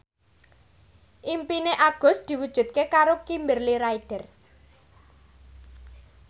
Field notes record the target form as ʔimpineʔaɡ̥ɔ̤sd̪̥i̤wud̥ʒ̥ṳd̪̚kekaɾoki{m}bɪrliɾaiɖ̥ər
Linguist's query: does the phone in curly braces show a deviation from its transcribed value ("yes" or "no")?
no